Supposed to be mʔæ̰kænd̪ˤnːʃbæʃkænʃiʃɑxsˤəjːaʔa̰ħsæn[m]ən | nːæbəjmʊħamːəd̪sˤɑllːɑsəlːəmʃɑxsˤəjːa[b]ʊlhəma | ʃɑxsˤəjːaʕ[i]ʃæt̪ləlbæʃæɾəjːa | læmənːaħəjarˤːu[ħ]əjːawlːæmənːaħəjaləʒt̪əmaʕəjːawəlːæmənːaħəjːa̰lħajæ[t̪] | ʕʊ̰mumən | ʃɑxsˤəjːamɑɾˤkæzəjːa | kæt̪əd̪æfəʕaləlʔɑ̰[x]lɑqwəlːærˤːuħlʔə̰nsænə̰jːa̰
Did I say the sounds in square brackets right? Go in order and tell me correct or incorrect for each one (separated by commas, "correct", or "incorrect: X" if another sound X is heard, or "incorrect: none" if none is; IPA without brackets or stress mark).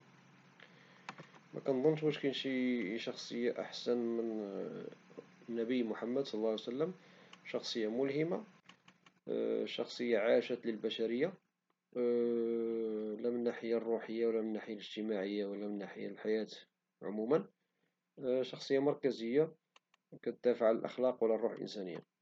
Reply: correct, incorrect: m, incorrect: a, correct, correct, correct